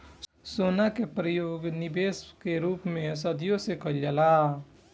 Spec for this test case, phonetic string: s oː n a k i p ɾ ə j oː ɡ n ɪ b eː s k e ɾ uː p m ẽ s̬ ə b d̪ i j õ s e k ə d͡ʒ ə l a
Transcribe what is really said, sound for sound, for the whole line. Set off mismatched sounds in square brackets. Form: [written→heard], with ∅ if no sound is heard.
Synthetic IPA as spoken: s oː n a k [i→e] p ɾ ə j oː ɡ n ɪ b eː s k e ɾ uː p m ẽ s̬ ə [b→∅] d̪ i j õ s e k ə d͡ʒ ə l a